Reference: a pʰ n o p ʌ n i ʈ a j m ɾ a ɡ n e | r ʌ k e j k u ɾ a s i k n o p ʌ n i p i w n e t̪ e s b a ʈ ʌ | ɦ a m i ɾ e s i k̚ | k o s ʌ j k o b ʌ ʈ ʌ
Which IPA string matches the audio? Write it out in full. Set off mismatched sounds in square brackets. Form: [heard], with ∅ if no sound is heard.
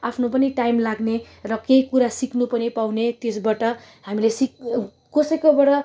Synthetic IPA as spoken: a pʰ n o p ʌ n i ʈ a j m [l] a ɡ n e | r ʌ k e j k u ɾ a s i k n [u] p ʌ n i p [a] w n e t̪ e s b a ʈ ʌ | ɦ a m i [l] e s i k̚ | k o s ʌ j k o b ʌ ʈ ʌ